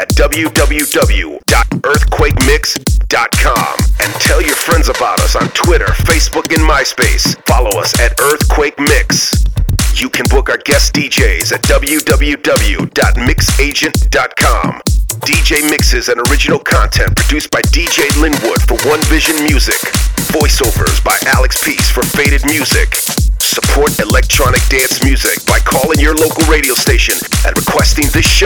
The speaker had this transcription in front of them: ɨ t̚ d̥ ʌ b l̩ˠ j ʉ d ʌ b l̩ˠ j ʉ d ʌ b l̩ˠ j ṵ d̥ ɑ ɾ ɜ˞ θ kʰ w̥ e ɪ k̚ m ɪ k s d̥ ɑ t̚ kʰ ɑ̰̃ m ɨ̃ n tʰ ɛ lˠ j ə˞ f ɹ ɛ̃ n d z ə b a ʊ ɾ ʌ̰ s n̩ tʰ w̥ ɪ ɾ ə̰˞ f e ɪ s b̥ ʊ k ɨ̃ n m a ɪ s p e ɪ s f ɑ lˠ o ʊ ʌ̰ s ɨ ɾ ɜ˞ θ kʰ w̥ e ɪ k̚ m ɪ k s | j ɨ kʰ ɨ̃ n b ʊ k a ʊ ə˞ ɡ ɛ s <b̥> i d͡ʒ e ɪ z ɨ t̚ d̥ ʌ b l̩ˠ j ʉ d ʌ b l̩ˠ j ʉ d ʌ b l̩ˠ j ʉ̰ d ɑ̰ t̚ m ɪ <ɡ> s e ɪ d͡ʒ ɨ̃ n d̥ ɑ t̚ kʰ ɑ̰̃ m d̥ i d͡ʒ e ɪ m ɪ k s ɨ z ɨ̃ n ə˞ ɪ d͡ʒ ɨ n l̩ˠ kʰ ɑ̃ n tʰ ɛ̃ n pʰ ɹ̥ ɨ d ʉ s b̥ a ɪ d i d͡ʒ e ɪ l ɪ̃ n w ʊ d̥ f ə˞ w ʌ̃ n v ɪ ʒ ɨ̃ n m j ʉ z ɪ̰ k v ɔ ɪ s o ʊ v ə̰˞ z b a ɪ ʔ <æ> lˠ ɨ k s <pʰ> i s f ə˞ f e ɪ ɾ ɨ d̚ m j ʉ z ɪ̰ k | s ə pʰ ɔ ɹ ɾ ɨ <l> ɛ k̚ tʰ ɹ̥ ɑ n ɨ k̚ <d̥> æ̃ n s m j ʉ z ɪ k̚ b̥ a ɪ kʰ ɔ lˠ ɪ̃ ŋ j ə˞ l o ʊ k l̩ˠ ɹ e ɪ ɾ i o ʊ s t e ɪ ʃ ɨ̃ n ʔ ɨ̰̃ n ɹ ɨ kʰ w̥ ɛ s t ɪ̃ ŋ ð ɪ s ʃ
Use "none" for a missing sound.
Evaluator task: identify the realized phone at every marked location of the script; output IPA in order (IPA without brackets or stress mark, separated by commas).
d̥, k, æ, pʰ, l, d̥